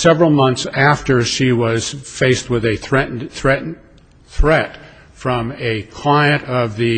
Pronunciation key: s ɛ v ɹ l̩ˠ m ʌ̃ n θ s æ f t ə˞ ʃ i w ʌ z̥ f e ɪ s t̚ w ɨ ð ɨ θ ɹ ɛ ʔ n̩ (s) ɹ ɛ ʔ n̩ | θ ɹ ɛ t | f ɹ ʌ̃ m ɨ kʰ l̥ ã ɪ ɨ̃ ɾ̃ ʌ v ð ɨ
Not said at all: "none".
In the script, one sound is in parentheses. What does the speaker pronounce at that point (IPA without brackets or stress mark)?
θ